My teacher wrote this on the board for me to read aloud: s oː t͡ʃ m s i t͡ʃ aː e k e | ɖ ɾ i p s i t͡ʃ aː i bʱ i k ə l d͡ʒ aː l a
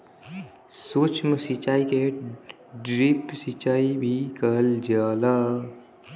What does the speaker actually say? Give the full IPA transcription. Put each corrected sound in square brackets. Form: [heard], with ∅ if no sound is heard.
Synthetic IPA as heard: s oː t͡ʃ m s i t͡ʃ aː [i] k e | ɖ ɾ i p s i t͡ʃ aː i bʱ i k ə l d͡ʒ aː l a